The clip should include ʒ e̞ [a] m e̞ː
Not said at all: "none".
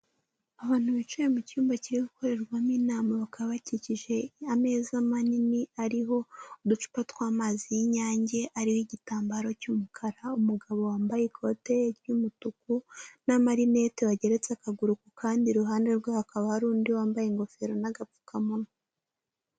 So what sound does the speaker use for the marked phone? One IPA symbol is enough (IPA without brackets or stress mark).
a